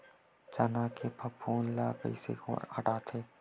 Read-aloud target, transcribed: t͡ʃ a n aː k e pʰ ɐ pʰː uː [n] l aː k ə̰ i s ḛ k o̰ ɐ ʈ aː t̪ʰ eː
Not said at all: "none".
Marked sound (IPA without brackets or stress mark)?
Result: n